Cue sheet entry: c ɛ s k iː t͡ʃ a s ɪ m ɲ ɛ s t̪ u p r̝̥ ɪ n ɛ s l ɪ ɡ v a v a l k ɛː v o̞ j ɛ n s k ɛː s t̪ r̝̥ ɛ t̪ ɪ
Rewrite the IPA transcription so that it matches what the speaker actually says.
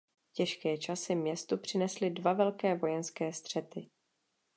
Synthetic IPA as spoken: c ɛ ʃ k ɛː t͡ʃ a s ɪ m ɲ ɛ s t̪ u p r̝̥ ɪ n ɛ s l ɪ d v a v ɛ l k ɛː v o̞ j ɛ n s k ɛː s t̪ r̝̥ ɛ t̪ ɪ